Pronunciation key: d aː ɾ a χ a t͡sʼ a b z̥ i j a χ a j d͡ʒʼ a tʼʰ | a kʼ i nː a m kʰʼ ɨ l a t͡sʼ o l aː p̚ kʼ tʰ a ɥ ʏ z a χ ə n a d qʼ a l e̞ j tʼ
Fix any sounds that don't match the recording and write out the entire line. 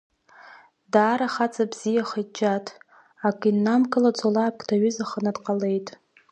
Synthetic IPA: d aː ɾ a χ a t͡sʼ a b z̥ i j a χ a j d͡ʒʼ a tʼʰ | a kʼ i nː a m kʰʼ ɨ l a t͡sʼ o l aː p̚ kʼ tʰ a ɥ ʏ z a χ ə n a d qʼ a l e̞ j tʼ

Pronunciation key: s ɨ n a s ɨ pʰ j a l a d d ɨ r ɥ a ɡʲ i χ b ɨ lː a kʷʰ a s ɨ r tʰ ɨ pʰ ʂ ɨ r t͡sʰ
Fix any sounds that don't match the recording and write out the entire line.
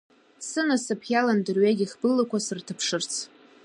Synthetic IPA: s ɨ n a s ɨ pʰ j a l a n d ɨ r ɥ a ɡʲ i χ b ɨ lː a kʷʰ a s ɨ r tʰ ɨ pʰ ʂ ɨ r t͡sʰ

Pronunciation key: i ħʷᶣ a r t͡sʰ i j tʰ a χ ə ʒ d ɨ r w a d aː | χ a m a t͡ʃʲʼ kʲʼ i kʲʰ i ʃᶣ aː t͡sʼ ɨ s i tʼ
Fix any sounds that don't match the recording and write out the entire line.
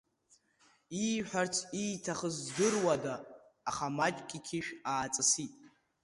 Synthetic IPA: i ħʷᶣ a r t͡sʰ i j tʰ a χ ə z d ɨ r w a d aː | χ a m a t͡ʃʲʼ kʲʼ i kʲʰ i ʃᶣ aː t͡sʼ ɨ s i tʼ

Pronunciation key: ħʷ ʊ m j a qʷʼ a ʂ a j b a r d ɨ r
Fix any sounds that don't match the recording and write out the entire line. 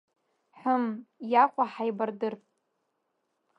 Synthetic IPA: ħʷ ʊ m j a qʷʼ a ħ a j b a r d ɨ r

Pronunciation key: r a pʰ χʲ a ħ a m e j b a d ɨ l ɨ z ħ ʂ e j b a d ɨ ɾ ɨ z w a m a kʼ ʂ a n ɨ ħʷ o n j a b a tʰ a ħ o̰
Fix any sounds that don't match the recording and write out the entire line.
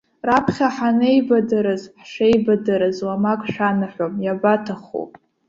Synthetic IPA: r a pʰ χʲ a ħ a n e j b a d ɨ ɾ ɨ z ħ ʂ e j b a d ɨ ɾ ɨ z w a m a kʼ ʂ a n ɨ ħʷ o m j a b a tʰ a χ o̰

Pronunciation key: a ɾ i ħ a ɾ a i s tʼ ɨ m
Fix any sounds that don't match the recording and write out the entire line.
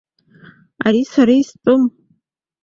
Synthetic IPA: a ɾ i s a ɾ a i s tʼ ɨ m

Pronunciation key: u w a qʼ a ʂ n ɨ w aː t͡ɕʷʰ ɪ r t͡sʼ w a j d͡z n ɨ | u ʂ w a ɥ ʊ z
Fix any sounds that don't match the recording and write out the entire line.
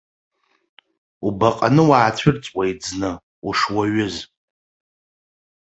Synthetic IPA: u b a qʼ a n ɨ w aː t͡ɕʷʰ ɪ r t͡sʼ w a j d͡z n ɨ | u ʂ w a ɥ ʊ z

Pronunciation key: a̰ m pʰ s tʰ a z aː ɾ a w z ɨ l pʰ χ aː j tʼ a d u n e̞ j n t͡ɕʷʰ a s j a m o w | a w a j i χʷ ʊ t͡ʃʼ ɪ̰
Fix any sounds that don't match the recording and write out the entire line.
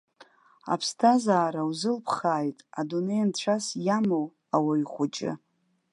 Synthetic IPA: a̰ pʰ s tʰ a z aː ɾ a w z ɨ l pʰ χ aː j tʼ a d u n e̞ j n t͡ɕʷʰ a s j a m o w | a w a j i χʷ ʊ t͡ʃʼ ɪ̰

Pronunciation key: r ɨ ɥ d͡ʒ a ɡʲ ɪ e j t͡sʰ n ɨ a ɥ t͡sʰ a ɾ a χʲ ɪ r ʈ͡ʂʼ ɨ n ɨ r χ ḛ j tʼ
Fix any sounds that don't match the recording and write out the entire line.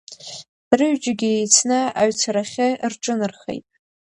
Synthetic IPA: r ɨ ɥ d͡ʒ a ɡʲ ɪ e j t͡sʰ n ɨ a ɥ t͡sʰ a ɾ a χʲ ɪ r ʈ͡ʂʼ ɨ n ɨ r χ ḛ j tʼ

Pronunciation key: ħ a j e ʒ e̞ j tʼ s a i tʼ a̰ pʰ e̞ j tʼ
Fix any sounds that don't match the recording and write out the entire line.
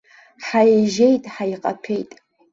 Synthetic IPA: ħ a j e ʒ e̞ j tʼ ħ a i qʼ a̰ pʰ e̞ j tʼ

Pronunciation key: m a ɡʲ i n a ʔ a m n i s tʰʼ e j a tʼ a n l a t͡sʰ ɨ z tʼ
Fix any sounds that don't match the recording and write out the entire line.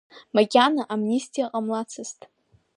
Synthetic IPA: m a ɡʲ a n a ʔ a m n i s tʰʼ i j a qʼ a m l a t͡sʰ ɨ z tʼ

